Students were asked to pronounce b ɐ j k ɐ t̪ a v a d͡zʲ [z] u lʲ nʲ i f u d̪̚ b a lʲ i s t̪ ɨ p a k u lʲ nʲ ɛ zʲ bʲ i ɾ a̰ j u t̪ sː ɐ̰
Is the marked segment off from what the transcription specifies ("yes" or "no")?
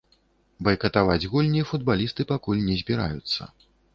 yes